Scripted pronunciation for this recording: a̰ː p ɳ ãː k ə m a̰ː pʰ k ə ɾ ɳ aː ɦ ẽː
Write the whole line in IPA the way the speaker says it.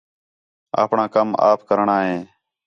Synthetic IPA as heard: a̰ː p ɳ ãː k ə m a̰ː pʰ k ə ɾ ɳ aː ɦ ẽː